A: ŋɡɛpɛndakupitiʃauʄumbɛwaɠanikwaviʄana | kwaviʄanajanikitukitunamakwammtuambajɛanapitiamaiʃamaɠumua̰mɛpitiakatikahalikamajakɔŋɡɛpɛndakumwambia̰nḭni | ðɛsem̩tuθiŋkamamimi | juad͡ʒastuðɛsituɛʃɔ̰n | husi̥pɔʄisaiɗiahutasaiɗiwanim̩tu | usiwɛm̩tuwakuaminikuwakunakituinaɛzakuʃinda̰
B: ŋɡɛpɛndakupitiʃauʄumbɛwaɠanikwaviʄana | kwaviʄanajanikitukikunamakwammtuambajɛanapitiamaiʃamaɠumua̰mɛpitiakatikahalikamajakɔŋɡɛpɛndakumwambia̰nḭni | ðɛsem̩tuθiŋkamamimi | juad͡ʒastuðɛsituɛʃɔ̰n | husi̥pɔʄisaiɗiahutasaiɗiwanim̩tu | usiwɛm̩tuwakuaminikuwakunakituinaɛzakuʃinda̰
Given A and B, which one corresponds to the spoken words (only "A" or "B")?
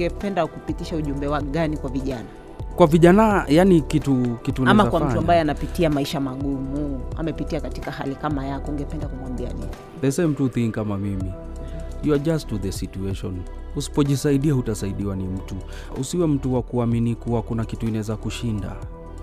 A